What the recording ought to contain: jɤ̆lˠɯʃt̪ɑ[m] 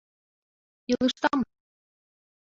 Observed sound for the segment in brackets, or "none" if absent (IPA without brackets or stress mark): m